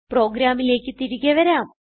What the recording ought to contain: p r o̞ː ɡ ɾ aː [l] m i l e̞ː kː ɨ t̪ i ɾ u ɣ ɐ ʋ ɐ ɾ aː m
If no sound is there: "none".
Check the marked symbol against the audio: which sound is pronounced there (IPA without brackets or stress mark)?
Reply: none